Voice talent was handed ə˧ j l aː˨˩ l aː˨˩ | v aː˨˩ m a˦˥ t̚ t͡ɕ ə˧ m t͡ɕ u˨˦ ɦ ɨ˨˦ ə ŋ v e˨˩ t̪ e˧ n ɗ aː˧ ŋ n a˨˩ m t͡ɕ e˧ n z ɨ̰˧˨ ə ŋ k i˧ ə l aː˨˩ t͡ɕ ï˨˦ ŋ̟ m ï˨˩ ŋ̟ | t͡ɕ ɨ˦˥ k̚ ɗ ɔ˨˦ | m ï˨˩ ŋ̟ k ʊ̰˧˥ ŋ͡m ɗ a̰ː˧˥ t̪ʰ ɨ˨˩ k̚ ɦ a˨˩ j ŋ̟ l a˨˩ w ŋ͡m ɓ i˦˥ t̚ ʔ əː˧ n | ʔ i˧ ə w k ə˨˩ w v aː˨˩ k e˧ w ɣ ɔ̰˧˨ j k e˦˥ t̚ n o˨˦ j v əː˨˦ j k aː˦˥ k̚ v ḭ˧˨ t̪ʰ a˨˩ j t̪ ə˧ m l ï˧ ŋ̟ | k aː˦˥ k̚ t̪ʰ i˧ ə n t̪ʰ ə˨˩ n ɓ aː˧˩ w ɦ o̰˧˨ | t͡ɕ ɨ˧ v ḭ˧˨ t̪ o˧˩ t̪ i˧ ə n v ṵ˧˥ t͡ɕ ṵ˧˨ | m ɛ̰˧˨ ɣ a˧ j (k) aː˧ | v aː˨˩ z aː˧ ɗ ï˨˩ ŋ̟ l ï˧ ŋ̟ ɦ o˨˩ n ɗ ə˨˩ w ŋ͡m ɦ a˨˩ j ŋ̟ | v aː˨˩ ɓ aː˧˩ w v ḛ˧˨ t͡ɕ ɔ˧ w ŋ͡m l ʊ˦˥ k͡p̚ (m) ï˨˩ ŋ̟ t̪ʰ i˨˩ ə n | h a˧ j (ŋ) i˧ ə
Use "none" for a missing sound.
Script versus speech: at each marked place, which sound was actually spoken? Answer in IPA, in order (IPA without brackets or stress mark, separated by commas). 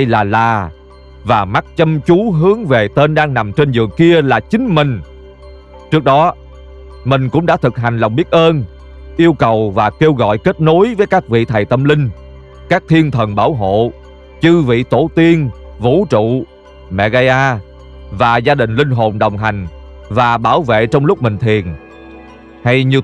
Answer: ʔ, m, ɲ